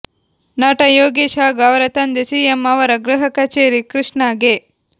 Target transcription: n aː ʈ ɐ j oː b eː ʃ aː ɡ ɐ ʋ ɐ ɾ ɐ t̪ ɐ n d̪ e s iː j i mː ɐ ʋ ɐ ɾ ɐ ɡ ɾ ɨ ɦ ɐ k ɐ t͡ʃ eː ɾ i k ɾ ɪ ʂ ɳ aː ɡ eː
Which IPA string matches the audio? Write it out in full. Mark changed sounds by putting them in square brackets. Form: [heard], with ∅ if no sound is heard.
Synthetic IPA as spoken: n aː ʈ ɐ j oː [ɡ] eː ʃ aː ɡ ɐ ʋ ɐ ɾ ɐ t̪ ɐ n d̪ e s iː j [e] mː ɐ ʋ ɐ ɾ ɐ ɡ ɾ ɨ ɦ ɐ k ɐ t͡ʃ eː ɾ i k ɾ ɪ ʂ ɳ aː ɡ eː